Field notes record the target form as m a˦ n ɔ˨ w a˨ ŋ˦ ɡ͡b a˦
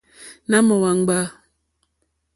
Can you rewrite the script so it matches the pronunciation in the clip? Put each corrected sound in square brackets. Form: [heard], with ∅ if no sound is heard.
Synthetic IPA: [n] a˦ [m] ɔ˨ w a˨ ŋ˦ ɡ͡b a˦